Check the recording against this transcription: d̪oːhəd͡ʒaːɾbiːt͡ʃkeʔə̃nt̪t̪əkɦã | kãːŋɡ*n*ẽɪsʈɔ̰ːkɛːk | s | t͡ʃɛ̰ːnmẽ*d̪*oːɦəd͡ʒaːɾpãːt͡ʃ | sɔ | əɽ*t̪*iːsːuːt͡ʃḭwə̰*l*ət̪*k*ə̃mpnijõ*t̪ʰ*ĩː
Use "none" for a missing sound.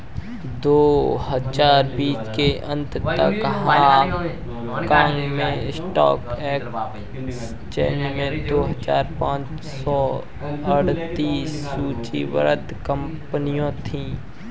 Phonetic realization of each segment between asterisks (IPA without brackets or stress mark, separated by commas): m, d̪, t̪, ɾ, k, t̪ʰ